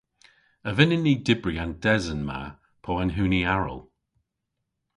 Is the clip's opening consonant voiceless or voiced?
voiced